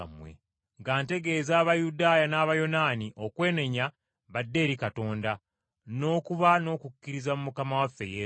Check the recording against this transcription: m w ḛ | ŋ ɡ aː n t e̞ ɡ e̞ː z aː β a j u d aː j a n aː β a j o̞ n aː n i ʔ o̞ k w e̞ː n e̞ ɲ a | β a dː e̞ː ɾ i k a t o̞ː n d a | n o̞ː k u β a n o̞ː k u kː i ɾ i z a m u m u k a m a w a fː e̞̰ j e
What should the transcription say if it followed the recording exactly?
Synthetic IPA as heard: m w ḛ | ŋ ɡ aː n t e̞ ɡ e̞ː z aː β a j u d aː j a n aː β a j o̞ n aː n i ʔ o̞ k w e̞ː n e̞ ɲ a | β a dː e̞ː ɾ i k a t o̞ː n d a | n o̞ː k u β a n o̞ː k u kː i ɾ i z a m u m u k a m a w a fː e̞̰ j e